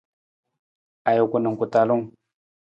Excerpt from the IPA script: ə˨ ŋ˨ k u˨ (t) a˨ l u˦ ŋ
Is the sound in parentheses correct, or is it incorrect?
correct